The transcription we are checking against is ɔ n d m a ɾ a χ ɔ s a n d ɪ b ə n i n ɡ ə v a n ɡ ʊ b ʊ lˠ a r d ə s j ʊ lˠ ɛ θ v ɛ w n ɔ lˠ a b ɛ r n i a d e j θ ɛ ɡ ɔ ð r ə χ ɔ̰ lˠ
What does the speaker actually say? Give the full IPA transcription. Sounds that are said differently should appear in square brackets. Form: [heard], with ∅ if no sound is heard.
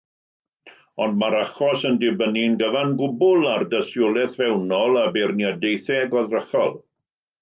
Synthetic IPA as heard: ɔ n d m a ɾ a χ ɔ s [ə] n d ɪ b ə n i n ɡ ə v a n ɡ ʊ b ʊ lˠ a r d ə s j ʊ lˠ ɛ θ v ɛ w n ɔ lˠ a b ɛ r n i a d e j θ ɛ ɡ ɔ ð r ə χ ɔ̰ lˠ